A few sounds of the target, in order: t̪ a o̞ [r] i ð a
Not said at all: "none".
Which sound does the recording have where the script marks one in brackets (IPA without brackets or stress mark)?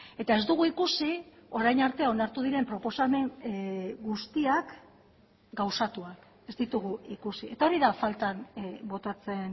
ɾ